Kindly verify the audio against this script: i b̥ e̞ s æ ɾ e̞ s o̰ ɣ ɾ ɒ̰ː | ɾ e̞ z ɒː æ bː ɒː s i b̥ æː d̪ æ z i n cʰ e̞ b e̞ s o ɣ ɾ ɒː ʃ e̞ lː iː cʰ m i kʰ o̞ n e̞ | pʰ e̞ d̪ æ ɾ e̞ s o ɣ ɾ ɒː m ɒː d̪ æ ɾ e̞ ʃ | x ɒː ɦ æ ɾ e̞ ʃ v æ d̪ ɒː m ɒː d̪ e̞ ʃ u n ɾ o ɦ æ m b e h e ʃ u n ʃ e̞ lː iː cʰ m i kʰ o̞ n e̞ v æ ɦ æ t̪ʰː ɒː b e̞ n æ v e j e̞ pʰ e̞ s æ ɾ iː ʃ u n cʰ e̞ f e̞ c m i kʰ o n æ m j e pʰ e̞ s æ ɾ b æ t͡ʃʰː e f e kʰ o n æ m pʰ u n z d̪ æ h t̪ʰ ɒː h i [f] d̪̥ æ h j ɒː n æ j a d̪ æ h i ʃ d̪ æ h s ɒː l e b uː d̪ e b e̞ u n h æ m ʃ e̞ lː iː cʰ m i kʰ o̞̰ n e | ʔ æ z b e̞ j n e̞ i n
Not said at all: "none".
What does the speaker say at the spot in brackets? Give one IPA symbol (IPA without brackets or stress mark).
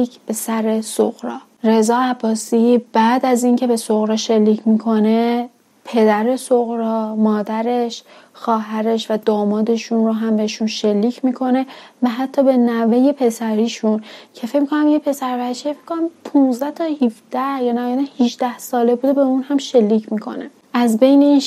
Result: f